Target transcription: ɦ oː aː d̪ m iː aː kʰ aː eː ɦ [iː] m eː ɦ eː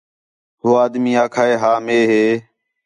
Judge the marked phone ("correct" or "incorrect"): incorrect